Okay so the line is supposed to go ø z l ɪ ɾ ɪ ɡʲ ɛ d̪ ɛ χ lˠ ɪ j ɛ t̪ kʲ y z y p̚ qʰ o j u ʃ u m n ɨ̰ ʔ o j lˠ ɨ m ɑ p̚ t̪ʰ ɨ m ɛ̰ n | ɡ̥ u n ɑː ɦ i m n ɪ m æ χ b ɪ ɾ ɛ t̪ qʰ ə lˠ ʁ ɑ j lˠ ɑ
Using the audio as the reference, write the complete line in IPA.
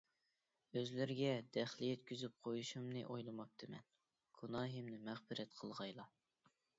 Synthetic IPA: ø z l ɪ ɾ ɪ ɡʲ ɛ d̪ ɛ χ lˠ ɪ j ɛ t̪ kʲ y z y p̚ qʰ o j u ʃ u m n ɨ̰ ʔ o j lˠ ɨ m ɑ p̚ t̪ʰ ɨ m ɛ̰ n | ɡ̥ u n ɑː ɦ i m n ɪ m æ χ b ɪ ɾ ɛ t̪ qʰ ə lˠ ʁ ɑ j lˠ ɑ